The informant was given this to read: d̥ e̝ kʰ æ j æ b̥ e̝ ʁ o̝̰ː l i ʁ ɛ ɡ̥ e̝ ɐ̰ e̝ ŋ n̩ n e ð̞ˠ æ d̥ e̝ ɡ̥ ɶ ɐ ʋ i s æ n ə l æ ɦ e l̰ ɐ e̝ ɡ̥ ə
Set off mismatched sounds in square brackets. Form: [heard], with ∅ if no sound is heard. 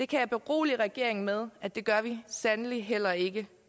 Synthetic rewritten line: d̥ e̝ kʰ æ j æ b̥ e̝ ʁ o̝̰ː l i ʁ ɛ ɡ̥ e̝ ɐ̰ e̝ ŋ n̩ [m] e ð̞ˠ æ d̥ e̝ ɡ̥ ɶ ɐ ʋ i s æ n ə l [i] ɦ e l̰ ɐ e̝ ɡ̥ ə